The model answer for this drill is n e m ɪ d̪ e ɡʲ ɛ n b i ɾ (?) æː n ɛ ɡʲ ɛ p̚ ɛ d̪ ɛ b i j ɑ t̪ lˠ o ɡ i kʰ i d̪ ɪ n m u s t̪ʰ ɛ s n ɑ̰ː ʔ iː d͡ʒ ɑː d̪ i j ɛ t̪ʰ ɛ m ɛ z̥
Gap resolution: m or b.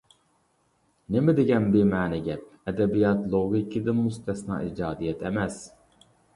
m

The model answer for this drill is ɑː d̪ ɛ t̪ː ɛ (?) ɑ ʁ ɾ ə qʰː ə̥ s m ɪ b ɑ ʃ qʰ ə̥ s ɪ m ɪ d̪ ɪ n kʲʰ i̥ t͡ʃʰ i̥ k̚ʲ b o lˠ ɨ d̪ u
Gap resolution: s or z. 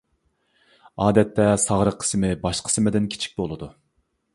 s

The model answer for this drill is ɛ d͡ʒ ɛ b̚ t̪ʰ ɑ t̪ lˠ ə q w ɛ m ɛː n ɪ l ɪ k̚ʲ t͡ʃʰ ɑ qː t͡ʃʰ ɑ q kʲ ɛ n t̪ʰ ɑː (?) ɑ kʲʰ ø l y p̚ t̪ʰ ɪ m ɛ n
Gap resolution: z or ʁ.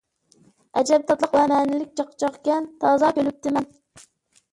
z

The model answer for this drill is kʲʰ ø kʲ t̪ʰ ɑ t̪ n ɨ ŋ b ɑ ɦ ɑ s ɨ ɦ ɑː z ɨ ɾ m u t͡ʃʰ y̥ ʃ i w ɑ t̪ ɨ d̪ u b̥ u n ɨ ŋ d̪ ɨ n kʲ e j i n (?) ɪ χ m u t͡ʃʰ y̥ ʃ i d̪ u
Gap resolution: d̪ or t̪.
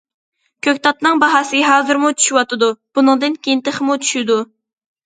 t̪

